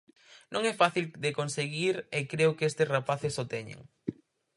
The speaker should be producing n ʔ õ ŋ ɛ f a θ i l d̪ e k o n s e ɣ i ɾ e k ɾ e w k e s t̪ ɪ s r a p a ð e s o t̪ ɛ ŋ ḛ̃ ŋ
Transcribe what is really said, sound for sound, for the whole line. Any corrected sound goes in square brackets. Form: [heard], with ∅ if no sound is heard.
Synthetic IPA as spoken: n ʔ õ ŋ ɛ f a θ i l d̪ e k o n s e ɣ i ɾ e k ɾ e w k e s t̪ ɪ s r a p a [θ] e s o t̪ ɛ [ɲ] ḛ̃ ŋ